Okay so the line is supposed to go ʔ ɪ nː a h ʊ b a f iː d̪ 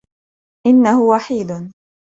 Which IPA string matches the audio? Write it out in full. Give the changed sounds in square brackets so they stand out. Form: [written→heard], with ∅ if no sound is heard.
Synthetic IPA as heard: ʔ ɪ nː a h ʊ [b→w] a [f→ħ] iː d̪